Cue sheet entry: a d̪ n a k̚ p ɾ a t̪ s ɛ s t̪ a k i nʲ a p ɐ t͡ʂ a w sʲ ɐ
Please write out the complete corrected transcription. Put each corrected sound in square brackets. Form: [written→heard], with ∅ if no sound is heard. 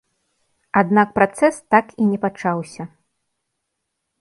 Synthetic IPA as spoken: a d̪ n a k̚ p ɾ a t̪ s ɛ s t̪ a k i nʲ [a→ɛ] p [ɐ→a] t͡ʂ a w sʲ ɐ